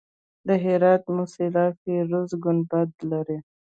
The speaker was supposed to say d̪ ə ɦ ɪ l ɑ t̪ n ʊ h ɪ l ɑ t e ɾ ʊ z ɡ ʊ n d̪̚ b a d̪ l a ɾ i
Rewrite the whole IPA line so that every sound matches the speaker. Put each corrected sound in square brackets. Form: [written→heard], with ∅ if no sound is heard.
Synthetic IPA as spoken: d̪ ə ɦ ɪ [l→ɾ] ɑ t̪ [n→m] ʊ [h→s] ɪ l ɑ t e ɾ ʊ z ɡ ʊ n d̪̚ b a d̪ l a ɾ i